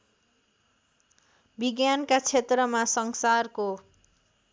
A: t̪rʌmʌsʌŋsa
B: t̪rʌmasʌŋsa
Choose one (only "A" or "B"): B